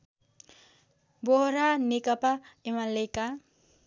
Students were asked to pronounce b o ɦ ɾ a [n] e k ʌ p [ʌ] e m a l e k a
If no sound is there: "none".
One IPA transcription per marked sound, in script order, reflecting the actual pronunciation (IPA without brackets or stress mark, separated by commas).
n, a